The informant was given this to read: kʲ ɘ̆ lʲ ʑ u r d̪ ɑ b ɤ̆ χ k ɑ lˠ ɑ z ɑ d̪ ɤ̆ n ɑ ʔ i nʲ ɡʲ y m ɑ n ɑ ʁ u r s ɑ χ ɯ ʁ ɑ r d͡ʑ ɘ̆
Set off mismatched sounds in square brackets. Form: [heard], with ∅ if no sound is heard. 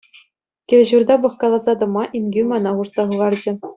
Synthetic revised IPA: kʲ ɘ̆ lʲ ʑ u r d̪ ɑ b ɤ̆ χ k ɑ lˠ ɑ z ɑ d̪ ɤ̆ [m] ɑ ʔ i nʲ ɡʲ y m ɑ n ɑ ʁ u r s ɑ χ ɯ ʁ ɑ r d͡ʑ ɘ̆